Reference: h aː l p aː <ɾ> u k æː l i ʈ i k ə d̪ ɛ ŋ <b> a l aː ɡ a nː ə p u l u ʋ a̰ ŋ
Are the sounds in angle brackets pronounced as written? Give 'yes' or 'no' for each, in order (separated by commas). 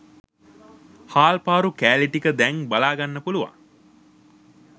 yes, yes